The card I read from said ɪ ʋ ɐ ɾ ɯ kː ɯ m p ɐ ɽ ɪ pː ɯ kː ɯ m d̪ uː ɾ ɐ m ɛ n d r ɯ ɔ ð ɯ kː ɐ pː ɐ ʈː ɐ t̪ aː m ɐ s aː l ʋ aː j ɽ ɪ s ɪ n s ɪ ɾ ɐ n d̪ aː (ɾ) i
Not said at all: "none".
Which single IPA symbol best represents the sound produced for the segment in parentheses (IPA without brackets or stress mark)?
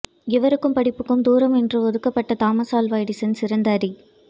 ɾ